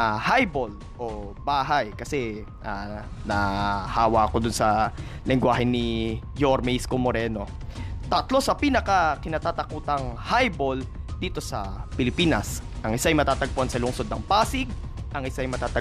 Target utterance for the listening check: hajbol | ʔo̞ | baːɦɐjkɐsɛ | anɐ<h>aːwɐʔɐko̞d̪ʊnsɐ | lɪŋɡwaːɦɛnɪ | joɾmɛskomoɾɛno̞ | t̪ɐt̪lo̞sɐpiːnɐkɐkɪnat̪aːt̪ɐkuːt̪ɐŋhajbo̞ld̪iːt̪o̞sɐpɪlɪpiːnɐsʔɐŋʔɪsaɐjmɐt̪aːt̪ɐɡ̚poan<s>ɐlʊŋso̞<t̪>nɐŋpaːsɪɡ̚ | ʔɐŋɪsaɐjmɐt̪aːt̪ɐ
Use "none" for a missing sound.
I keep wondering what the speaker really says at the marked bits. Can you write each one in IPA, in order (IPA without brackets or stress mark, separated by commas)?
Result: h, s, d̪